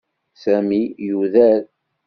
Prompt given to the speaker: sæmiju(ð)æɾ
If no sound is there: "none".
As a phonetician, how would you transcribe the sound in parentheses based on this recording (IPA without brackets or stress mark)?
ð